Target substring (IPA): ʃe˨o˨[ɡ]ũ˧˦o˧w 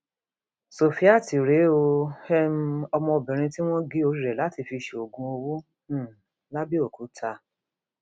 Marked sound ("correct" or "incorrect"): correct